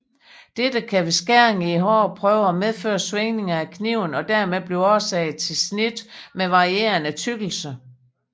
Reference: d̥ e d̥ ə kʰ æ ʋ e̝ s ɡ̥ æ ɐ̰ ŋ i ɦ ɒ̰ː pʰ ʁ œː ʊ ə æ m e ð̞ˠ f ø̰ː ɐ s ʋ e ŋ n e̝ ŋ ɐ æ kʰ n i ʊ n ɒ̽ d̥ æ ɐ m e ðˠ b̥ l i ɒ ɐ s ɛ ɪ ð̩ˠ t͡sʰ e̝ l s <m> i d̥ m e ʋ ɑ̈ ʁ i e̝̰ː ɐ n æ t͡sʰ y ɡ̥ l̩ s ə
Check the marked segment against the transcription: incorrect: n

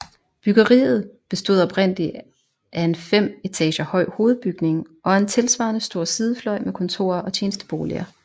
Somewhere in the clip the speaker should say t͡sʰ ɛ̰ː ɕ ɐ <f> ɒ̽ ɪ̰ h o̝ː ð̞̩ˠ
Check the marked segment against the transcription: incorrect: h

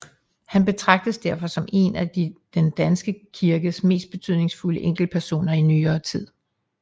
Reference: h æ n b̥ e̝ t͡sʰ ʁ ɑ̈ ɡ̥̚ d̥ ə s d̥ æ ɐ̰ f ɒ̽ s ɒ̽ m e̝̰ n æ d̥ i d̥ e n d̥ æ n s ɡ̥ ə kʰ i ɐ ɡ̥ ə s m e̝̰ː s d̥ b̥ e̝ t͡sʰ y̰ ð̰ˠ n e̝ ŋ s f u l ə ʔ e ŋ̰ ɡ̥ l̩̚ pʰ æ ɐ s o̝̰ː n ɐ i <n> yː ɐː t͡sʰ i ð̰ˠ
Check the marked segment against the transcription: correct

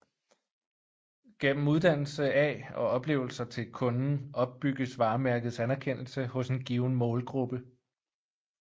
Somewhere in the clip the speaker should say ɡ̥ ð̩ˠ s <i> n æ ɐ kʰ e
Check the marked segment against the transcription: incorrect: æ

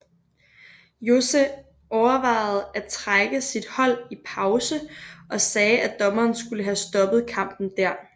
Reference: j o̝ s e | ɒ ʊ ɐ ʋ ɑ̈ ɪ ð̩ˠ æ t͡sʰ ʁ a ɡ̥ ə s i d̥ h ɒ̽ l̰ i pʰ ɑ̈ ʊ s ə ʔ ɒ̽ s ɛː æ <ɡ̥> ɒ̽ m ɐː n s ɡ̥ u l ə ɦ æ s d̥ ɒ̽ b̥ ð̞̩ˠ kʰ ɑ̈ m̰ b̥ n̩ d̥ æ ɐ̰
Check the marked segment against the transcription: incorrect: d̥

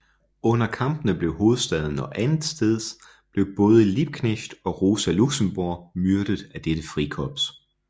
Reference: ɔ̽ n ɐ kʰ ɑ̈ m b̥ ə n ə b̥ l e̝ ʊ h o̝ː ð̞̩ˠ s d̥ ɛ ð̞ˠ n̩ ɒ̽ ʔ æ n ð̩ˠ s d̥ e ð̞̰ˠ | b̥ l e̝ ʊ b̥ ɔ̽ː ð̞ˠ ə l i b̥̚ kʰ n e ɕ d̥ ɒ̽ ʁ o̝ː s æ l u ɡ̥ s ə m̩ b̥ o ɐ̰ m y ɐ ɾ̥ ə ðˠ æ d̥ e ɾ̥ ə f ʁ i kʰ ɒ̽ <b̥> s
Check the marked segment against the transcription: correct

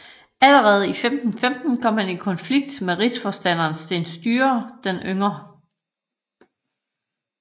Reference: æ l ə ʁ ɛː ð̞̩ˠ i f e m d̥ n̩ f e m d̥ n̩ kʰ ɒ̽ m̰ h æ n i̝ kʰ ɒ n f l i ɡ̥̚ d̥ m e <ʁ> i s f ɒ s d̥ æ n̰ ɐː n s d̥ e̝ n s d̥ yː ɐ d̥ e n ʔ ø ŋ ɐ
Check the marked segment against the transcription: correct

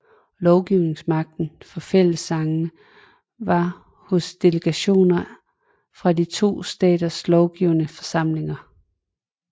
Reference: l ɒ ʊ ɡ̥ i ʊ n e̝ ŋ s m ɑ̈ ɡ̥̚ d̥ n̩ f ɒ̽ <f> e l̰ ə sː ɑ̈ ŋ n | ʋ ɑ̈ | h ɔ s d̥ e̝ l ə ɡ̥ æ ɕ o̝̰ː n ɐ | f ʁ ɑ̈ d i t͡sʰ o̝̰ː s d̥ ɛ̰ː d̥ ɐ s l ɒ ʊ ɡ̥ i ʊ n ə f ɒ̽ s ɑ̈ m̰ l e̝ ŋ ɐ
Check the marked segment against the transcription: correct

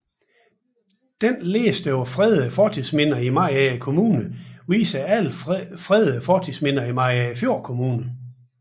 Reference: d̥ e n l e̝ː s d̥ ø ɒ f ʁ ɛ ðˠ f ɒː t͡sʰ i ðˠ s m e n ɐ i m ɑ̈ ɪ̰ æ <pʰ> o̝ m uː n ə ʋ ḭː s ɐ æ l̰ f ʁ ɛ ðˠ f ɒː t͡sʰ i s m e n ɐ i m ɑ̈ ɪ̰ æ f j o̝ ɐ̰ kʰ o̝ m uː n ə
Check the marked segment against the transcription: incorrect: kʰ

